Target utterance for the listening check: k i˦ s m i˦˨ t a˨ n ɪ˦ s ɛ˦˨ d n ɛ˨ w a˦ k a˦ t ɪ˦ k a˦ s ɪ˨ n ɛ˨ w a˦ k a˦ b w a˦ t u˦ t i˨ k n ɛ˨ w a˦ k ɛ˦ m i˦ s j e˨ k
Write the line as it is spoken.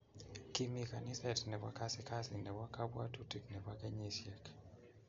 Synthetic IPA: k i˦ m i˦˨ k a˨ n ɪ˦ s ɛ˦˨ t n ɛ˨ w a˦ k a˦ s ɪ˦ k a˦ s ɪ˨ n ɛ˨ w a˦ k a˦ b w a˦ t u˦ t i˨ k n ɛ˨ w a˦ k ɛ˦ ɲ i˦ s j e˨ k